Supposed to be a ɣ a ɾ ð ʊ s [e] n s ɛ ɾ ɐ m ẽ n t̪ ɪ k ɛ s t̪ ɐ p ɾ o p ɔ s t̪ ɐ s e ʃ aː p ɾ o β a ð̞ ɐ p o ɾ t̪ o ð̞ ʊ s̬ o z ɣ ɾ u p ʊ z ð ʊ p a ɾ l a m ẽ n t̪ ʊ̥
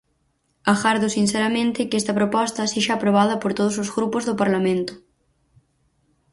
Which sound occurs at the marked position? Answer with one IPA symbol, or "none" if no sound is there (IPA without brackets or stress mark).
i